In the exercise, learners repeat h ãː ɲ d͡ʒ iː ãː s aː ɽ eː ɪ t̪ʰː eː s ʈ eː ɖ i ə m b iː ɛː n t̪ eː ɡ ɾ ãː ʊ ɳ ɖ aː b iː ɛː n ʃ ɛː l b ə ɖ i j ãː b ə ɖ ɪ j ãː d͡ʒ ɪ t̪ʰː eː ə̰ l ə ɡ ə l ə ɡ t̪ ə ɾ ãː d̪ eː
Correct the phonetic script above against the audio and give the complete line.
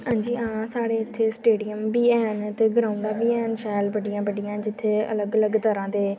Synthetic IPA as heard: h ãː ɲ d͡ʒ iː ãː s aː ɽ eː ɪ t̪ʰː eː s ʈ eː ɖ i ə m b iː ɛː n t̪ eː ɡ ɾ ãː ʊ ɳ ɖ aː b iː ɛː n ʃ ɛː l b ə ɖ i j ãː b ə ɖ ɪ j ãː d͡ʒ ɪ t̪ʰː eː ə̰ l ə ɡ ə l ə ɡ t̪ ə ɾ ãː d̪ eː